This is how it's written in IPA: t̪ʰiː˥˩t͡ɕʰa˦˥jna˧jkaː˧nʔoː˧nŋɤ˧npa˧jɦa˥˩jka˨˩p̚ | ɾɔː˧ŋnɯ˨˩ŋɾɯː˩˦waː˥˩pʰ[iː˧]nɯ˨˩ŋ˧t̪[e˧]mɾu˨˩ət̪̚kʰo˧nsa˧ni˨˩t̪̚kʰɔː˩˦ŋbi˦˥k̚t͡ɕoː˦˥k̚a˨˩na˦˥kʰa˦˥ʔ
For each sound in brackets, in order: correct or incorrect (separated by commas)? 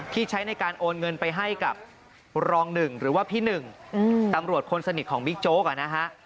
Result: incorrect, incorrect